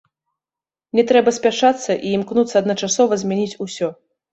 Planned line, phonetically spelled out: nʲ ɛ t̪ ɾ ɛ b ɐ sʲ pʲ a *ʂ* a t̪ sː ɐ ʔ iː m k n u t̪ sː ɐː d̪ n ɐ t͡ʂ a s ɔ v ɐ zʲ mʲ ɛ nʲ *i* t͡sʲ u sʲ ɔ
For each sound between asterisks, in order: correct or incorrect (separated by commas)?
correct, correct